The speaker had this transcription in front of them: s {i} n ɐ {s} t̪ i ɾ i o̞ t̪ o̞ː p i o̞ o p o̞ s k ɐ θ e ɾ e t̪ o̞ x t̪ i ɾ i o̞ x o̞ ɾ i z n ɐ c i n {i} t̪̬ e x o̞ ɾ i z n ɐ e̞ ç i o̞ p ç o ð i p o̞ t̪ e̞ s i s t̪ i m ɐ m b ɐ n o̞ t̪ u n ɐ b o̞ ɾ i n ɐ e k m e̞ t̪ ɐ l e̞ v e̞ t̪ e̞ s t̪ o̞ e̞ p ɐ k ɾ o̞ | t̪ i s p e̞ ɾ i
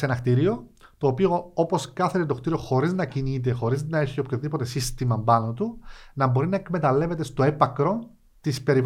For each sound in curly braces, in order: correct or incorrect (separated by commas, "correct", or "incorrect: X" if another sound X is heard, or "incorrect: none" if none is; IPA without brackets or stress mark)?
incorrect: e, incorrect: x, correct